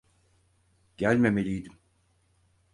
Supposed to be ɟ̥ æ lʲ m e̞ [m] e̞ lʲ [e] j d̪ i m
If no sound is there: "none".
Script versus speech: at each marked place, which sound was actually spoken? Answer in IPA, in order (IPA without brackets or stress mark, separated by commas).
m, i